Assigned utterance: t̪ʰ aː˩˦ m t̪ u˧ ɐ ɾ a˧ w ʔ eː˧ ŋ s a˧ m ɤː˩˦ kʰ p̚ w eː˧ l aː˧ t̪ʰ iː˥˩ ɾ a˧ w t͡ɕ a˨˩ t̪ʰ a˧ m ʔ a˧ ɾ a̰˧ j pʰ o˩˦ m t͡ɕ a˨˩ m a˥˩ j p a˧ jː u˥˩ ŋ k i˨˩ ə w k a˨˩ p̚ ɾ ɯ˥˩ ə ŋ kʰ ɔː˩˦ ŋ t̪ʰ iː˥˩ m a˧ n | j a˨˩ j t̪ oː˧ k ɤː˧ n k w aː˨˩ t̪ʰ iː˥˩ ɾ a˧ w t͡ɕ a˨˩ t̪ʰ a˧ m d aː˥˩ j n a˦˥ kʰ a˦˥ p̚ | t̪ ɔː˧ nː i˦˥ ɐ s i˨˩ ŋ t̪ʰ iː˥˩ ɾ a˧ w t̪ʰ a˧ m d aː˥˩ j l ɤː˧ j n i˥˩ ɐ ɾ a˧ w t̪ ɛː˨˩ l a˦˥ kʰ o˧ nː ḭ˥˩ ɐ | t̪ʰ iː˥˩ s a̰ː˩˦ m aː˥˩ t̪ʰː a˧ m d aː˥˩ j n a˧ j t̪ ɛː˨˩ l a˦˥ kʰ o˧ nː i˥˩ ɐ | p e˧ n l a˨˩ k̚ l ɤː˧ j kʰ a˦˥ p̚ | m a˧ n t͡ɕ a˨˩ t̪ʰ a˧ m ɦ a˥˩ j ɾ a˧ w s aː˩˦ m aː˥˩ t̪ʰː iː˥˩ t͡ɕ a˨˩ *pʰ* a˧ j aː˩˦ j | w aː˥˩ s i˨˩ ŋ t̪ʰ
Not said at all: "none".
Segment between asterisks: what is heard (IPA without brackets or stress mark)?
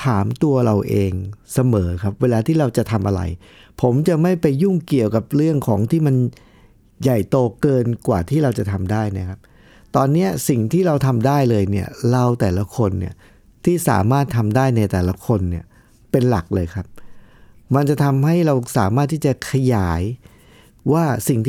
kʰ